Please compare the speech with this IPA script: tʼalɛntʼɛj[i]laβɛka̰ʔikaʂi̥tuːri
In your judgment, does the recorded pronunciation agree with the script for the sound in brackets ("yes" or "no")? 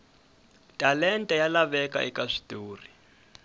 no